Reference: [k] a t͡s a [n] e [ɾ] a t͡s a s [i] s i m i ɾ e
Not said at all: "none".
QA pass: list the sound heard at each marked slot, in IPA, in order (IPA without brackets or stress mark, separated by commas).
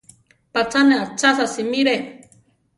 p, n, none, a